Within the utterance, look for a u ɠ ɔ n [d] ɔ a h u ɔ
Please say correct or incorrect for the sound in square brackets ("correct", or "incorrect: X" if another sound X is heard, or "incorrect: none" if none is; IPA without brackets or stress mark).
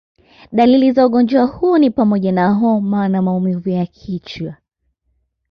incorrect: d͡ʒ